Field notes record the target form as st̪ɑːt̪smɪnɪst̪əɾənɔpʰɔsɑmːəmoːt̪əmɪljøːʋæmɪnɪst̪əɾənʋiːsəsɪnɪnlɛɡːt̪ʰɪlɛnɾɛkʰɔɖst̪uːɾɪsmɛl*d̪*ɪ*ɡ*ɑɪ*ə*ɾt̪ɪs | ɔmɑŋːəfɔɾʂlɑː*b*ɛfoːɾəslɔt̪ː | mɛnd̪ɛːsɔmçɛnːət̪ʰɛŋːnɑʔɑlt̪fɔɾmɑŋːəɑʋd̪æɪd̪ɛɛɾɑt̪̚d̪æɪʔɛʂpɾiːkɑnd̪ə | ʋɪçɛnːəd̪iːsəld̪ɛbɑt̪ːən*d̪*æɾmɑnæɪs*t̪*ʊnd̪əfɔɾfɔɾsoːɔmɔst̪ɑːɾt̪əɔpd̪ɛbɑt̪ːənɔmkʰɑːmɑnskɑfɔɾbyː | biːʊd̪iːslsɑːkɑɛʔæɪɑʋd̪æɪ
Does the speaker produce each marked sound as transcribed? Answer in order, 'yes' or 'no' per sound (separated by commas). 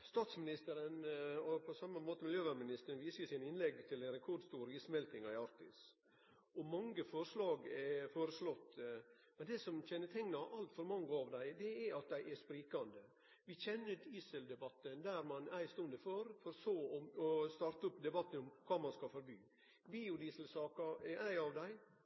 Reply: no, no, no, no, yes, yes